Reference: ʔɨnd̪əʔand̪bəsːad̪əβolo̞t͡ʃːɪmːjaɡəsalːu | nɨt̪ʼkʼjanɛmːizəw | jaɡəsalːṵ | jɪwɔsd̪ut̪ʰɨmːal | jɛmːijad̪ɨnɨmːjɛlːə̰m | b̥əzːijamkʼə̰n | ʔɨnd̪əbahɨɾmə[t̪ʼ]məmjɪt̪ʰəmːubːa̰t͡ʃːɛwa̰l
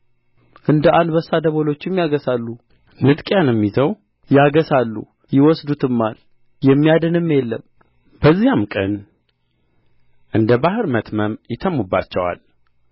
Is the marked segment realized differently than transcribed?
yes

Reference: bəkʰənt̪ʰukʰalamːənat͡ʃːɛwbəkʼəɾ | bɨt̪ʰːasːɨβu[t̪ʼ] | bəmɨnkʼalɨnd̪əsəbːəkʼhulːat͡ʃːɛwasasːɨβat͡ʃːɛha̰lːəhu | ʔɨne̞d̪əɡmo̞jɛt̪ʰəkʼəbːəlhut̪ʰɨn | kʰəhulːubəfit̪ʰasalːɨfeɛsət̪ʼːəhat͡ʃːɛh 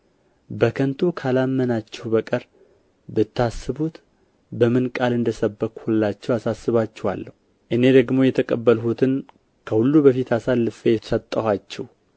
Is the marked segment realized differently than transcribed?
yes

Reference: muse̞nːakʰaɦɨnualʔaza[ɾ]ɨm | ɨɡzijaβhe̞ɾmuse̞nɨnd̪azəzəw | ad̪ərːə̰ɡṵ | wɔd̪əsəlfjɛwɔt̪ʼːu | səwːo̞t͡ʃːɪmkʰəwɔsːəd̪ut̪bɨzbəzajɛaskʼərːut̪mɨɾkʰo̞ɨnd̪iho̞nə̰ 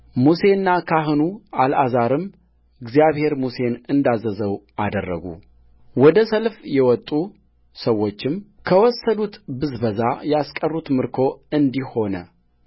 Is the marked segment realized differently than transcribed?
no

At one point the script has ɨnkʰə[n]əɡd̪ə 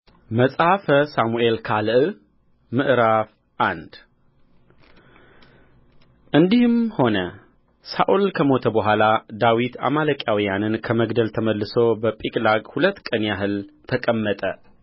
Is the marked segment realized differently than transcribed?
yes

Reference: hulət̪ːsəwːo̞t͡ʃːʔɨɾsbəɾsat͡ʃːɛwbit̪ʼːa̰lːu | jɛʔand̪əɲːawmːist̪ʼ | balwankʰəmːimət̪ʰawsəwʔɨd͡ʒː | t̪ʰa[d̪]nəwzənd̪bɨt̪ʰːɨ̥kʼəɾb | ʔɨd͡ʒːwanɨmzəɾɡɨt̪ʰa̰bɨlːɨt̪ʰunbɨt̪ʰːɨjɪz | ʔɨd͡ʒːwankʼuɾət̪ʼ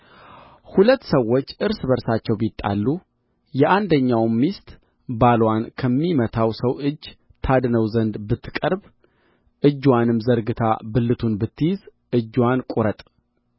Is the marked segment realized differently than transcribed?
no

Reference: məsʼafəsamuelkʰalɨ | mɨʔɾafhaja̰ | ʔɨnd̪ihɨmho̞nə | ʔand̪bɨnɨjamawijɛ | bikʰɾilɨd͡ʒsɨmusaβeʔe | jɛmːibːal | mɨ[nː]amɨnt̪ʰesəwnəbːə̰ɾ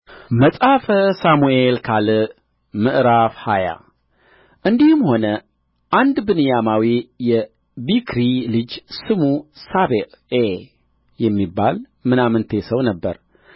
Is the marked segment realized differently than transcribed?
yes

